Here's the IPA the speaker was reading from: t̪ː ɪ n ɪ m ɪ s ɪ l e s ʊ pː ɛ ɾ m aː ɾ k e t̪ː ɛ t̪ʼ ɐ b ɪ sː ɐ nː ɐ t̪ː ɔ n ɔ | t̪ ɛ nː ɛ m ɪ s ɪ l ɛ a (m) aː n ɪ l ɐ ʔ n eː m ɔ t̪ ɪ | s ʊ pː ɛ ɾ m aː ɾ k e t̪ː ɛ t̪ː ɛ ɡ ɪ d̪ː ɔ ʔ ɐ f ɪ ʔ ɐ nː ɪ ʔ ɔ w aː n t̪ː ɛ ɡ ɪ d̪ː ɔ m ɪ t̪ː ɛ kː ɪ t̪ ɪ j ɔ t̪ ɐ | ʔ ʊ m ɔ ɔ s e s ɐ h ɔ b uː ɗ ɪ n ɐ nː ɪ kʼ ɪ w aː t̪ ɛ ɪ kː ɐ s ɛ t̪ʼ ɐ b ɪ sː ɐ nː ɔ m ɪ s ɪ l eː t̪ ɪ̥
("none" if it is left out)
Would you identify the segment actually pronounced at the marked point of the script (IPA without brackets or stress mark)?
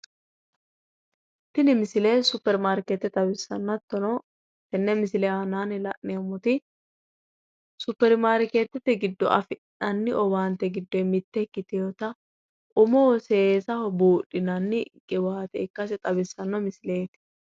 n